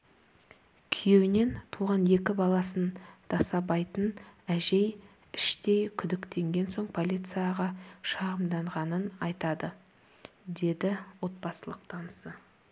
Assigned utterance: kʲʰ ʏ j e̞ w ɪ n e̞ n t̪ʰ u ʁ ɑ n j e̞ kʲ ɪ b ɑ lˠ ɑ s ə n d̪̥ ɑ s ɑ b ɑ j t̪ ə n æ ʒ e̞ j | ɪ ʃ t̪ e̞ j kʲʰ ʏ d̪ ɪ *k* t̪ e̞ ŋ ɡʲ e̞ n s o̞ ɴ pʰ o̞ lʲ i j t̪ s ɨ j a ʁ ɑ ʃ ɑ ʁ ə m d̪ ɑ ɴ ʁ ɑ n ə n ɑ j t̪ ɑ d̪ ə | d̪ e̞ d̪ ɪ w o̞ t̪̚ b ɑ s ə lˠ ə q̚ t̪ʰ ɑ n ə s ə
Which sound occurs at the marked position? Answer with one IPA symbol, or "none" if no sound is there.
k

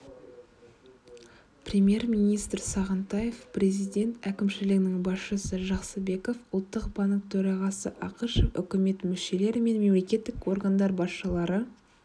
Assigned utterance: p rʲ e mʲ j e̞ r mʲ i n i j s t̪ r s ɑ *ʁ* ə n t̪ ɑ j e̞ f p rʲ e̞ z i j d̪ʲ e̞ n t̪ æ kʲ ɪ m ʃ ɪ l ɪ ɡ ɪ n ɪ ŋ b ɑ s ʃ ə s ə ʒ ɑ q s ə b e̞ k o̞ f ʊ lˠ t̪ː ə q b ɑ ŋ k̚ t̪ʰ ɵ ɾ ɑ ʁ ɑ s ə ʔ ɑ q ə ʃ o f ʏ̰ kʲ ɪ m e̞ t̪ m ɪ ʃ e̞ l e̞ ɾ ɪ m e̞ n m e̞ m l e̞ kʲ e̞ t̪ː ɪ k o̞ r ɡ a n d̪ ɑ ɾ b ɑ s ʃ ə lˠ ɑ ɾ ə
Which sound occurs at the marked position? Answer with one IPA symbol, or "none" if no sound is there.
ʁ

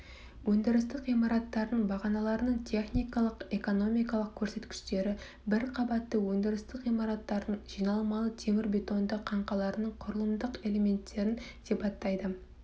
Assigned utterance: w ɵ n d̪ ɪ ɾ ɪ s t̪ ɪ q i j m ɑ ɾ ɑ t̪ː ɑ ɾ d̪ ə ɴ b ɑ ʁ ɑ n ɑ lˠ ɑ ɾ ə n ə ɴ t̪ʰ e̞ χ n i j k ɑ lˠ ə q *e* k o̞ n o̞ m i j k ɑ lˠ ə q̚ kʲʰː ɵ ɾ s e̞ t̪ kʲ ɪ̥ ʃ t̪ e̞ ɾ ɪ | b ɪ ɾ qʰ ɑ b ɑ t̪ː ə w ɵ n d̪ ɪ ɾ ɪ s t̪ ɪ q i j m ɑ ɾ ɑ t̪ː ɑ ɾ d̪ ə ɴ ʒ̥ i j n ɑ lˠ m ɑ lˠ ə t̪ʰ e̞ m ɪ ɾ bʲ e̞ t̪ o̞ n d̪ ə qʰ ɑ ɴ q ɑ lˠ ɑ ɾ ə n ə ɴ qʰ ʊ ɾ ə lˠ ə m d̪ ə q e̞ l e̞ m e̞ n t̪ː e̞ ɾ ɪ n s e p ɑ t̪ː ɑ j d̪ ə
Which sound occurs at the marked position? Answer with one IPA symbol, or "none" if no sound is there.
e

